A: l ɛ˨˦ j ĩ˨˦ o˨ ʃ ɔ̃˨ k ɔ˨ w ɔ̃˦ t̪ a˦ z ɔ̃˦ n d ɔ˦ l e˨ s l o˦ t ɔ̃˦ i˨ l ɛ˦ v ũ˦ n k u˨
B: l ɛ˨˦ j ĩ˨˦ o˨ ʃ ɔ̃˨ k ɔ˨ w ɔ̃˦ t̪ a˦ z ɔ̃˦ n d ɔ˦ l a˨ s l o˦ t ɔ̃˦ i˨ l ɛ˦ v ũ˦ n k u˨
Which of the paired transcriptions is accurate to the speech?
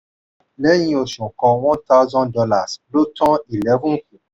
B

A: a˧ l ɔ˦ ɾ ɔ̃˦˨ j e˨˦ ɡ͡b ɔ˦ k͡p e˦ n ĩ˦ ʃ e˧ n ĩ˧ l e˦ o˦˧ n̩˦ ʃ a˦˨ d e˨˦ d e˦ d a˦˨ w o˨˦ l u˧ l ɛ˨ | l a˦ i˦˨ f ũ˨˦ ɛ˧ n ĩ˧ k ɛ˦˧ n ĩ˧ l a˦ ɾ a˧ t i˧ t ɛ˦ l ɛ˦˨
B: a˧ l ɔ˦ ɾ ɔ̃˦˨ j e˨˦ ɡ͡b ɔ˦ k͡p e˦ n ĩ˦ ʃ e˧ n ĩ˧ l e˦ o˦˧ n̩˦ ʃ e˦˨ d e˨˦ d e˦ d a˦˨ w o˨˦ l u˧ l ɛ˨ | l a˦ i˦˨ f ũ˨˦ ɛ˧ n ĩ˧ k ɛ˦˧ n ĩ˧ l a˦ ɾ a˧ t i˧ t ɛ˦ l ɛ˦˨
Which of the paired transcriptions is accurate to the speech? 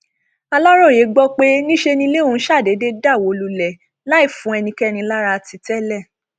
A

